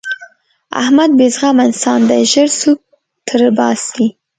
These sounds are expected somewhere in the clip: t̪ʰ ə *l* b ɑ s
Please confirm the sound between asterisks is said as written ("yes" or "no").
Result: no